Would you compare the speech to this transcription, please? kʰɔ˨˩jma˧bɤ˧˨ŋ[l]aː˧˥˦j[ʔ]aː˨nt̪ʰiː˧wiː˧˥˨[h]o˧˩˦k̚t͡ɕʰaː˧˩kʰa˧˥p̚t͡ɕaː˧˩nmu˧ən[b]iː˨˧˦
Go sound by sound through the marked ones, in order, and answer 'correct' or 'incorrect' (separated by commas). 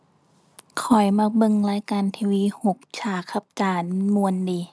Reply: correct, incorrect, correct, incorrect